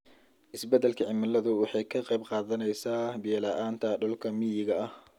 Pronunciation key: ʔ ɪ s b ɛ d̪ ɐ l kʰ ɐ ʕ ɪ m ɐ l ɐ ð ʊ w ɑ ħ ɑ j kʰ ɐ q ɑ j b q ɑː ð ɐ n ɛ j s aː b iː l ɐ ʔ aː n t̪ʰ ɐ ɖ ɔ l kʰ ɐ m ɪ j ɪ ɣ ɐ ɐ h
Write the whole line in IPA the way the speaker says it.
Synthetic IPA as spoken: ʔ ɪ s b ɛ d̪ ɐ l kʰ ɐ ʕ ɪ m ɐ l ɐ ð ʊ w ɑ ħ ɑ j kʰ ɐ q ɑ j b q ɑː ð ɐ n ɛ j s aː b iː l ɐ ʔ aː n t̪ʰ ɐ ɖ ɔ l kʰ ɐ m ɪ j ɪ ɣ ɐ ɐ h